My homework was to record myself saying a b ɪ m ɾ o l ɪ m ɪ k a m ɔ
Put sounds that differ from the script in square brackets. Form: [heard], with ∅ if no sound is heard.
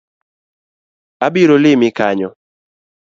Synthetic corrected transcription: a b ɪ [∅] ɾ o l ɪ m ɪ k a [ɲ] ɔ